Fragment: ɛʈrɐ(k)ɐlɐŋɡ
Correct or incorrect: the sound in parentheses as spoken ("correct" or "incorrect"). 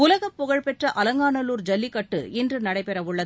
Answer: incorrect